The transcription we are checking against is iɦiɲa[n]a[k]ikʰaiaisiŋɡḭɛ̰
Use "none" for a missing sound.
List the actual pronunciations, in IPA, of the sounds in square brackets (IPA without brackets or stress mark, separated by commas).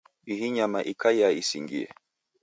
m, ʔ